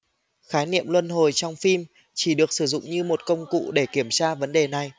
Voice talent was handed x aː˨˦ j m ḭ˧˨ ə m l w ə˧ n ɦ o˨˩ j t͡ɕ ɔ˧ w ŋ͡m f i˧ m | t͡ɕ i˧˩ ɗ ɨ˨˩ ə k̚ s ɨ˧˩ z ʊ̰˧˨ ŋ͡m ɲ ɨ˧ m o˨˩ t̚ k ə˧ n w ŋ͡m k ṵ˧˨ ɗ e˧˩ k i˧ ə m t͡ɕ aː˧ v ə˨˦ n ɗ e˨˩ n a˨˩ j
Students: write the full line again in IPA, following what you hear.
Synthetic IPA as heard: x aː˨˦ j n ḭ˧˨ ə m l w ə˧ n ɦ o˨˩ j t͡ɕ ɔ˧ w ŋ͡m f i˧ m | t͡ɕ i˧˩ ɗ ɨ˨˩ ə k̚ s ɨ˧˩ z ʊ̰˧˨ ŋ͡m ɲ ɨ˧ m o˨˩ t̚ k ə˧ w ŋ͡m k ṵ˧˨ ɗ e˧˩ k i˧˩ ə m t͡ɕ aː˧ v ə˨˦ n ɗ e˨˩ n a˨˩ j